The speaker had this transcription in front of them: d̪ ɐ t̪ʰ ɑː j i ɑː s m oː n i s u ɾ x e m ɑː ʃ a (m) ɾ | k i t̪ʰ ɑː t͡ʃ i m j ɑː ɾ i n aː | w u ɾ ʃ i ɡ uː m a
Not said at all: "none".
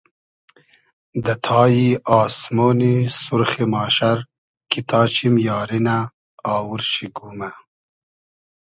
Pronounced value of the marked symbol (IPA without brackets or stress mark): none